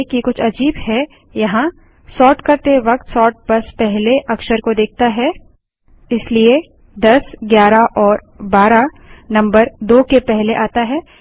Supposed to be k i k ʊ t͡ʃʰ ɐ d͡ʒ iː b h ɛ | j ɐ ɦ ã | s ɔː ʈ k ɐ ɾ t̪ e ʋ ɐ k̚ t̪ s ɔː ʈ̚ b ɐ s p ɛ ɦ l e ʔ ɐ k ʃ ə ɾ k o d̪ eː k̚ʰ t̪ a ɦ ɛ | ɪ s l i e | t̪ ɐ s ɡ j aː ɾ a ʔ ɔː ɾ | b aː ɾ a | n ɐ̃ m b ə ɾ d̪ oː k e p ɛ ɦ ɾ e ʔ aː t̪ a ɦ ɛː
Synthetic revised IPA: k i k ʊ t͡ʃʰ ɐ d͡ʒ iː b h ɛ | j ɐ ɦ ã | s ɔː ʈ k ɐ ɾ t̪ e ʋ ɐ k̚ t̪ s ɔː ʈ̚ b ɐ s p ɛ ɦ l e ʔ ɐ k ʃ ə ɾ k o d̪ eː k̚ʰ t̪ a ɦ ɛ | ɪ s l i e | d̪ ɐ s ɡ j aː ɾ a ʔ ɔː ɾ | b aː ɾ a | n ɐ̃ m b ə ɾ d̪ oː k e p ɛ ɦ l e ʔ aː t̪ a ɦ ɛː